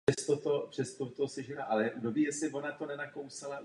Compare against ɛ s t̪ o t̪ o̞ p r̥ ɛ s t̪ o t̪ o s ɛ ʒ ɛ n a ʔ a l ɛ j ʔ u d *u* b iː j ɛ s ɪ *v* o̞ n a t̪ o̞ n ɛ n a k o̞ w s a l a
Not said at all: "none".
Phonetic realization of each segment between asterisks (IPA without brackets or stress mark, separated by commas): o, v